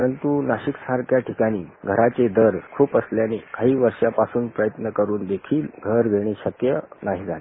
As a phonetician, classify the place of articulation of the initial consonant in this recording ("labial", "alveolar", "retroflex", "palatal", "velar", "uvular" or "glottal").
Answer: alveolar